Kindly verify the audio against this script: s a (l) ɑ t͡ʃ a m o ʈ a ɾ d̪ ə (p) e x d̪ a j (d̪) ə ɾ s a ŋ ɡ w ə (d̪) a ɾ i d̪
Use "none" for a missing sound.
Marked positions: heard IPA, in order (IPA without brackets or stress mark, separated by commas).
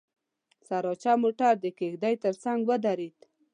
ɾ, k, t̪, d̪